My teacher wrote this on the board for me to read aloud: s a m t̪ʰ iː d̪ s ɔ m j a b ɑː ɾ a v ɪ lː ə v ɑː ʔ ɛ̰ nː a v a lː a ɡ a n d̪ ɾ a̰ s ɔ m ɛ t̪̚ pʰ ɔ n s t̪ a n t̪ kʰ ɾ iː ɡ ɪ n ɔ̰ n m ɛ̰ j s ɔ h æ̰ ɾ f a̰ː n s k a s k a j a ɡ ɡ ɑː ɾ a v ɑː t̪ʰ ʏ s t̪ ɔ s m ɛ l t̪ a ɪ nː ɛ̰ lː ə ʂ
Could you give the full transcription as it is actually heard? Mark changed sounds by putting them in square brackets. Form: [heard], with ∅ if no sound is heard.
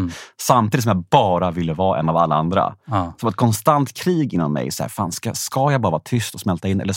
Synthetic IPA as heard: s a m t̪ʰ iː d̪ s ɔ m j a b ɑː ɾ a v ɪ lː ə v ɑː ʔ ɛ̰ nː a v a lː a [∅] a n d̪ ɾ a̰ s ɔ m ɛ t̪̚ [kʰ] ɔ n s t̪ a n t̪ kʰ ɾ iː ɡ ɪ [nː] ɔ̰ n m ɛ̰ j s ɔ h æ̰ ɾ f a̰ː n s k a s k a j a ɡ [b] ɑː ɾ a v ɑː t̪ʰ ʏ s t̪ ɔ s m ɛ l t̪ a ɪ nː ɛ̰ lː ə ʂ